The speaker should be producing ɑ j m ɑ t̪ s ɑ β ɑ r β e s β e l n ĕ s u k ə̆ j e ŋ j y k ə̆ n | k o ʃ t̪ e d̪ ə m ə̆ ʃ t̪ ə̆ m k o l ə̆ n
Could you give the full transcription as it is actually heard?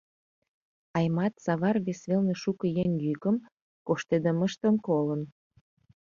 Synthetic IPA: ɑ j m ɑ t̪ s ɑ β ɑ r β e s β e l n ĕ ʃ u k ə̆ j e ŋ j y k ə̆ m | k o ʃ t̪ e d̪ ə m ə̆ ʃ t̪ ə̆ m k o l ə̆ n